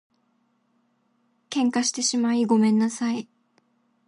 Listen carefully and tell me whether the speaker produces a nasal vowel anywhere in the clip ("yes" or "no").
yes